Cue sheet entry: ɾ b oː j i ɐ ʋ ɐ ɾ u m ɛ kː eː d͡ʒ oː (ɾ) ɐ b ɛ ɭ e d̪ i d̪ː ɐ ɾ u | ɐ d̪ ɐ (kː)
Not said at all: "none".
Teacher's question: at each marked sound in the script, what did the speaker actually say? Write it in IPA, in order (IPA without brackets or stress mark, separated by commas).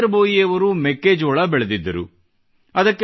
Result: ɭ, kː